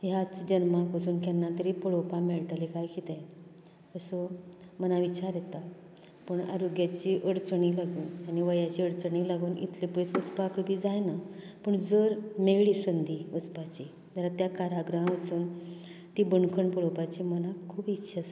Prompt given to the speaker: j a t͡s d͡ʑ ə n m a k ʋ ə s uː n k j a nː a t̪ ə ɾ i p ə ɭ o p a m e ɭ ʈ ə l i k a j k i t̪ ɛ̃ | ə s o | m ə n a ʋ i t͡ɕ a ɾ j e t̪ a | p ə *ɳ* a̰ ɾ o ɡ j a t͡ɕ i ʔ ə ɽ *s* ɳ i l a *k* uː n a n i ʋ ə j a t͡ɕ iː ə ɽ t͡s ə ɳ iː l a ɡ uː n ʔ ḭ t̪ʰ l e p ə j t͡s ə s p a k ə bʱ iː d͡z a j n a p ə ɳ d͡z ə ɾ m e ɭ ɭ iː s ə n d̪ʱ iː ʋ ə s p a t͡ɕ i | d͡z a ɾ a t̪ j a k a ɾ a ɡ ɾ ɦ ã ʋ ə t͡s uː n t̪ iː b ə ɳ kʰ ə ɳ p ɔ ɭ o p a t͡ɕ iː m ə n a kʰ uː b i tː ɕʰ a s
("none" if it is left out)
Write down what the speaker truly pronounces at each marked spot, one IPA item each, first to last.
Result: ɳ, t͡s, ɡ

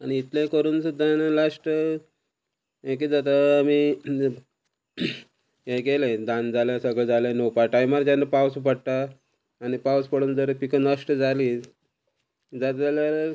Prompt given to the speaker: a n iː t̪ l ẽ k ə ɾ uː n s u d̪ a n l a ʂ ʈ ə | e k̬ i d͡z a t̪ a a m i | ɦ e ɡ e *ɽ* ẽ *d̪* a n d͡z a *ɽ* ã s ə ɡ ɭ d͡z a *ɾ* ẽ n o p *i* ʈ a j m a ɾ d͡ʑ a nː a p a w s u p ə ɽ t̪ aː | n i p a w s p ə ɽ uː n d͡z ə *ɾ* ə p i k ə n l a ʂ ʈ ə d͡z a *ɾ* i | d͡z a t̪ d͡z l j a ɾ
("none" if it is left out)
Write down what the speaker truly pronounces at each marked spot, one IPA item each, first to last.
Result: l, d̪, l, l, a, ɾ, l

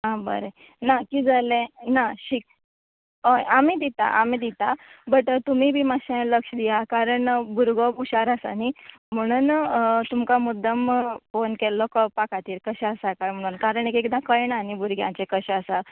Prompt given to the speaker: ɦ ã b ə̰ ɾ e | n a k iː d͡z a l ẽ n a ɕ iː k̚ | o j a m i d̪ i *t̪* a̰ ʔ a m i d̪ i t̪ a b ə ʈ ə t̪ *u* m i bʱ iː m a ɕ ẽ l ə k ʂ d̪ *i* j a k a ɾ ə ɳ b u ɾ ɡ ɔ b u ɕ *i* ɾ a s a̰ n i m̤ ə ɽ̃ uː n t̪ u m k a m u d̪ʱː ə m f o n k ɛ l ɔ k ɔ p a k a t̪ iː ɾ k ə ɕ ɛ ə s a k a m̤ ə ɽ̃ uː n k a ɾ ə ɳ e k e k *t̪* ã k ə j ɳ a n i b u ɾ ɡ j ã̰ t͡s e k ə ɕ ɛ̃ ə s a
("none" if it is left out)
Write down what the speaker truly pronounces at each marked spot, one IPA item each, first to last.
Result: t̪, u, i, a, d̪

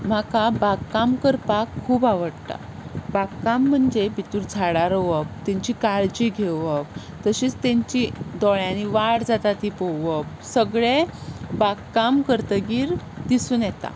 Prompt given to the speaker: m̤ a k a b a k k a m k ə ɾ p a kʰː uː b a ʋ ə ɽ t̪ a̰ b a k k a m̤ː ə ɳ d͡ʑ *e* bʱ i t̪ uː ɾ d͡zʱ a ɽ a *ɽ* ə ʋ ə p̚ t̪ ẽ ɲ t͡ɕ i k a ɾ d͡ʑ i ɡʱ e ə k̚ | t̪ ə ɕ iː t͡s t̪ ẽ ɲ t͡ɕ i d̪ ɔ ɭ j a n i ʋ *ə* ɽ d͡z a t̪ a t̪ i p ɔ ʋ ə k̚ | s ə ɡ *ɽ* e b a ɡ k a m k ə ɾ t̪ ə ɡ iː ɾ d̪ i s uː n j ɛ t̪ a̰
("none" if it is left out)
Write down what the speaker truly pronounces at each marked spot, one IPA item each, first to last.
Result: e, ɾ, a, ɭ

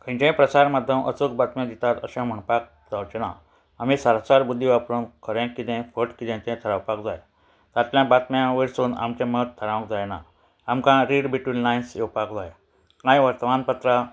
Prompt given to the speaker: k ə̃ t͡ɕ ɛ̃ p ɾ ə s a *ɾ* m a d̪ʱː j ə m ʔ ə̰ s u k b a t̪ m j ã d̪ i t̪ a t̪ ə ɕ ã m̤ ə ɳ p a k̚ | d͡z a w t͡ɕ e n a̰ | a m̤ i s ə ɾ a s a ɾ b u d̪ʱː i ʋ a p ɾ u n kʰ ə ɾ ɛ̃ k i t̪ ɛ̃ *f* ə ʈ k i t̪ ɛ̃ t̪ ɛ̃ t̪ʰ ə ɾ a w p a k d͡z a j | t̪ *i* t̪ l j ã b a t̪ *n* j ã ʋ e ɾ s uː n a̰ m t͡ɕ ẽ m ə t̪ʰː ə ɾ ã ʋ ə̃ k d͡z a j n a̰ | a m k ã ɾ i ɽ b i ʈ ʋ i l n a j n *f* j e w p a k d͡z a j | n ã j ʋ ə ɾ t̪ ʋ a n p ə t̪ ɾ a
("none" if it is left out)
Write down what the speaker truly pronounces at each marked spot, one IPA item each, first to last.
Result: ɾ, f, a, m, s

